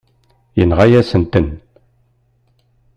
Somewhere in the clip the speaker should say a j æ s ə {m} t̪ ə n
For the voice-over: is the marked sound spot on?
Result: no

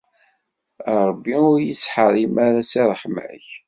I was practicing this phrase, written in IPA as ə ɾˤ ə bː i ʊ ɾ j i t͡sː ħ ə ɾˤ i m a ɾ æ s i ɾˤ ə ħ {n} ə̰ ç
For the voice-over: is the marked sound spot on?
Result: no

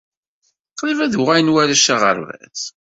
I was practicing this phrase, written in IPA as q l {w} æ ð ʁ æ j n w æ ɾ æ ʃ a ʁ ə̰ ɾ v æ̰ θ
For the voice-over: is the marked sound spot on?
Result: no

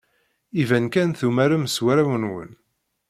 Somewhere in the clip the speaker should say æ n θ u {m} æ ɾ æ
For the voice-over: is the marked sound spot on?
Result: yes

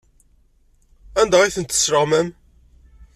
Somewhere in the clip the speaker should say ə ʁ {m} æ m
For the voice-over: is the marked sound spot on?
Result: yes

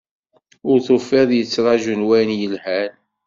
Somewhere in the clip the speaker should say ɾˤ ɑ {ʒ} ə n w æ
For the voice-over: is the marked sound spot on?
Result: yes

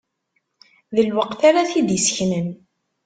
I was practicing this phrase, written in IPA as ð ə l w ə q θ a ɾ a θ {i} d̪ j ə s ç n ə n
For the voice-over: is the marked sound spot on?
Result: yes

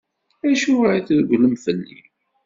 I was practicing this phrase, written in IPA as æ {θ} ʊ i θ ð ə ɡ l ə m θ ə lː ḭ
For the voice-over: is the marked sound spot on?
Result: no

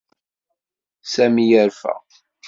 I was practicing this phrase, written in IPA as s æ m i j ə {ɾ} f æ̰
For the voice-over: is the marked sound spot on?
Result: yes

